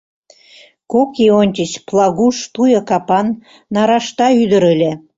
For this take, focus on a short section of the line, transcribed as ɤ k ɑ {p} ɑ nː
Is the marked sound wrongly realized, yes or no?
no